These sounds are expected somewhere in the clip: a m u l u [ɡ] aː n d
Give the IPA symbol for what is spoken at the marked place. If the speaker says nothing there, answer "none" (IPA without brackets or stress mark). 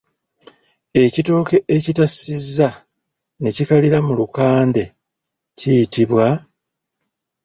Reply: k